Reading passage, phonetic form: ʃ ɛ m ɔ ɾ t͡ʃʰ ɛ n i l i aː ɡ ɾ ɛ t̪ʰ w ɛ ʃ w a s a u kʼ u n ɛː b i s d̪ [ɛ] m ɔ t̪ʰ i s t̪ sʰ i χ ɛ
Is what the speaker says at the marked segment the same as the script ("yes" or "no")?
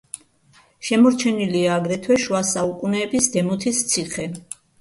yes